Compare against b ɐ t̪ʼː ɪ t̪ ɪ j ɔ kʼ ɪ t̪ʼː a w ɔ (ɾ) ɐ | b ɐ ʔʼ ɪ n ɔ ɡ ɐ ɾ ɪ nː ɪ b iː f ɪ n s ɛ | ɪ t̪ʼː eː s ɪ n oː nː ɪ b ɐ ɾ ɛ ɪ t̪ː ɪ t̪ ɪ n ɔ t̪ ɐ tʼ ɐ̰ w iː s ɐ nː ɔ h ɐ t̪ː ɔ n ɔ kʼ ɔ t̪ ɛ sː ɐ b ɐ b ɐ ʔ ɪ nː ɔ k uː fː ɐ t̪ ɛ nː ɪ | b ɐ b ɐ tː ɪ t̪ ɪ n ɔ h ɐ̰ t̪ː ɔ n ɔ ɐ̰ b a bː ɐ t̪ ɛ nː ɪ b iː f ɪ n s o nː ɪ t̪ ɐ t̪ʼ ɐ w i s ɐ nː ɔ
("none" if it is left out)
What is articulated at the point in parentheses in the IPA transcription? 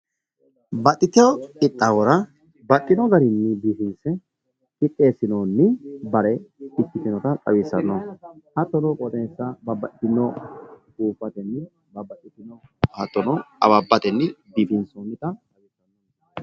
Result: ɾ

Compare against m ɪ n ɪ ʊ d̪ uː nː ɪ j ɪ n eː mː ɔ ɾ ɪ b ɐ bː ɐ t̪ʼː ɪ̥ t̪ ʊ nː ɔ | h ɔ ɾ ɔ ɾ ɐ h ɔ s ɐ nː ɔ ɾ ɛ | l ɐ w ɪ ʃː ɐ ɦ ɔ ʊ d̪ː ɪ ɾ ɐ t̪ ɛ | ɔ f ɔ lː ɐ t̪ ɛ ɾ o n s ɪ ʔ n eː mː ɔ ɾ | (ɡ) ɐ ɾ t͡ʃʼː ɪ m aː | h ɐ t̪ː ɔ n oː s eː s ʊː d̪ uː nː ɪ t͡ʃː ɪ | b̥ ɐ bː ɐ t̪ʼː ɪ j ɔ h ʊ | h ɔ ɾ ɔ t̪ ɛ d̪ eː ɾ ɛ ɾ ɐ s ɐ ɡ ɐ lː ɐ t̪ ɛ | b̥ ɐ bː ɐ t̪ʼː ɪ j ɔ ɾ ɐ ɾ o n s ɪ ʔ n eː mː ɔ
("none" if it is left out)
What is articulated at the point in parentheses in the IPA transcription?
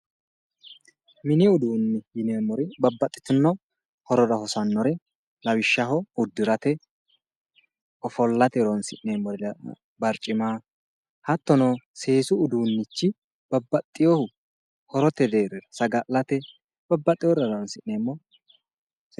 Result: b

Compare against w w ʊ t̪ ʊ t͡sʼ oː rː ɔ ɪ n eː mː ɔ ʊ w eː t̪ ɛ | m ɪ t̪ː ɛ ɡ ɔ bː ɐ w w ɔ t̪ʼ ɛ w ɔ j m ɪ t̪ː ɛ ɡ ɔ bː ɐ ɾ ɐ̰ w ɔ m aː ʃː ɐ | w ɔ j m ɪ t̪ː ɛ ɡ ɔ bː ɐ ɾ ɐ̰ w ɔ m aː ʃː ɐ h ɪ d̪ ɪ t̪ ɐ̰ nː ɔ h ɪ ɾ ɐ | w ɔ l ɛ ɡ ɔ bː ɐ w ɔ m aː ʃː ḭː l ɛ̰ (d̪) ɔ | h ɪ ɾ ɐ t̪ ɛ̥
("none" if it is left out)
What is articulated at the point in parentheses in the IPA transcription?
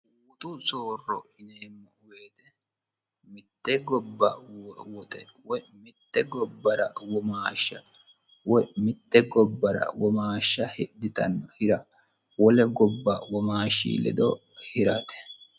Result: d̪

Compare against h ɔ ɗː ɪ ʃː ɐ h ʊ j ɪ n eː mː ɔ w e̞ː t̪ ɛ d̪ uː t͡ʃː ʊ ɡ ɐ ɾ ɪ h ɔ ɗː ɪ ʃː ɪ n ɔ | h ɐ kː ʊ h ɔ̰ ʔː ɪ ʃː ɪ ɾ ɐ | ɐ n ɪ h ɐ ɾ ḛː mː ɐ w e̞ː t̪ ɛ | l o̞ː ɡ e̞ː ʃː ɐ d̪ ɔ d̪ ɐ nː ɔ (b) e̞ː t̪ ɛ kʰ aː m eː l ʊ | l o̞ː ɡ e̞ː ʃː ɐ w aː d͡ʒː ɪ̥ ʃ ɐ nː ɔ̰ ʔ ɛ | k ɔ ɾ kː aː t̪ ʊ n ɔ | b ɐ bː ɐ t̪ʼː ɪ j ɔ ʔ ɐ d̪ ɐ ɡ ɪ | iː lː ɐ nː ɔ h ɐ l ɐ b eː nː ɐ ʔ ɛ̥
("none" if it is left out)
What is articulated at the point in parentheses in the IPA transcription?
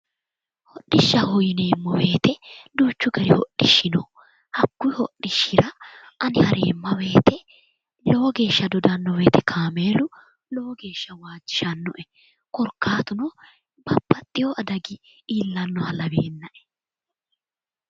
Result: w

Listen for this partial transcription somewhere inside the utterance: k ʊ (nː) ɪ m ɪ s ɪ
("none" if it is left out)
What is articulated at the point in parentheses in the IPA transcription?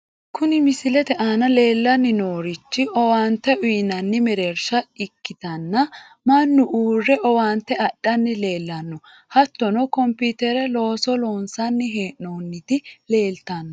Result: n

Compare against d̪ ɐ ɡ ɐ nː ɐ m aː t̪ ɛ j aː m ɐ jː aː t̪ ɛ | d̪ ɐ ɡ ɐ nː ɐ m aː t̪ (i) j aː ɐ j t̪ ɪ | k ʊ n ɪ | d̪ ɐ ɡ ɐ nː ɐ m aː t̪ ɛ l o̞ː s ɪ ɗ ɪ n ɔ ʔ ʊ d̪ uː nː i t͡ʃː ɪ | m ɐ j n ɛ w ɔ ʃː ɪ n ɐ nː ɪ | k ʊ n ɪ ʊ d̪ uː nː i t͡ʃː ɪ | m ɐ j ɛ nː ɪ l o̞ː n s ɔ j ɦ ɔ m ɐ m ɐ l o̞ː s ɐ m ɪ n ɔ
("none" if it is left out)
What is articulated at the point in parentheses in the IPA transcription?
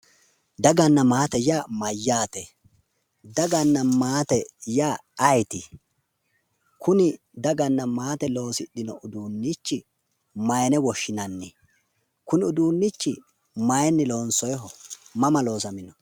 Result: ɛ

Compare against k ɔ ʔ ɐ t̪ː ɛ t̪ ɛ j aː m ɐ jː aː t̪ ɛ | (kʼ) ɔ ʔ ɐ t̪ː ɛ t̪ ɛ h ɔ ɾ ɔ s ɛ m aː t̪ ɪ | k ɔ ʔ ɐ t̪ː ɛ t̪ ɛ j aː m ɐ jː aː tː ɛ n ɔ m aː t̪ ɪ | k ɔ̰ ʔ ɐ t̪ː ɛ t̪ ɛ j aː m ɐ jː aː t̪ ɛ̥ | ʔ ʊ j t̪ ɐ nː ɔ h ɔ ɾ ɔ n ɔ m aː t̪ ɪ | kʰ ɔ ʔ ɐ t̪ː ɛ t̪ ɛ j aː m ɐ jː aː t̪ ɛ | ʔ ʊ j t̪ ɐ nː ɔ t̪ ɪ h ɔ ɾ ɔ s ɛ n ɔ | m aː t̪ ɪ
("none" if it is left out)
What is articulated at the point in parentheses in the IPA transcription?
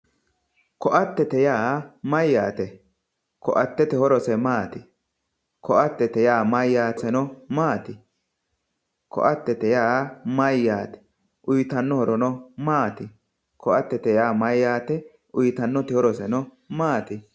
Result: k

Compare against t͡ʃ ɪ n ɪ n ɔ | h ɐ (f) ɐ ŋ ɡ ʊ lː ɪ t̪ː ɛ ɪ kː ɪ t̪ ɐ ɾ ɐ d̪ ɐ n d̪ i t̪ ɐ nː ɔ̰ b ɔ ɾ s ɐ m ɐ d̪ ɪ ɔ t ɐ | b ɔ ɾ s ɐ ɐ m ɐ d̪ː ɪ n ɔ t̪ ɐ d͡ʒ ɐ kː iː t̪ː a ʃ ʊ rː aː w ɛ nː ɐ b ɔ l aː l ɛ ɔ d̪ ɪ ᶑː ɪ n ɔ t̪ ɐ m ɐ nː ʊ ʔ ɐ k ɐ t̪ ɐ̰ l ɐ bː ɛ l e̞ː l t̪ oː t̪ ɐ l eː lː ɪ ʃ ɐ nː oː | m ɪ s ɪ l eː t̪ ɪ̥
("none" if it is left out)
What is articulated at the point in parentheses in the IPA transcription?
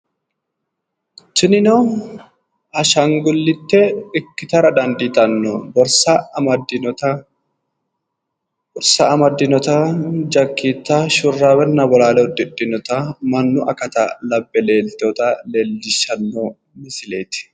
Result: ʃ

